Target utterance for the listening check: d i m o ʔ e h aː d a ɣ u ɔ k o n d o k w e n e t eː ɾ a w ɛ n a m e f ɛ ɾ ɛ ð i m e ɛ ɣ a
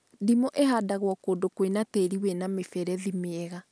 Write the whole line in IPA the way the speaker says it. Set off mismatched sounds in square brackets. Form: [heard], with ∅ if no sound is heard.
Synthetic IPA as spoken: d i m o ʔ e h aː d a ɣ [w] ɔ k o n d o k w e n [a] t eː ɾ [i] w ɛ n a m e f ɛ ɾ ɛ ð i m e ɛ ɣ a